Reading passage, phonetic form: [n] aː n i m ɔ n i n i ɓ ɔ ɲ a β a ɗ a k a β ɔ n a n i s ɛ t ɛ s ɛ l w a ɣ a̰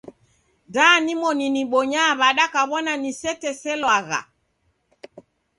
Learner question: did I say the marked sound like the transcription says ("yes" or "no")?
no